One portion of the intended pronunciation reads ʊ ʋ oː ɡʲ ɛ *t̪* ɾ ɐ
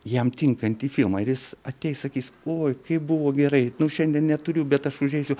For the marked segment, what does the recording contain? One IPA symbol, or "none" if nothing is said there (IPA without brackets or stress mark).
none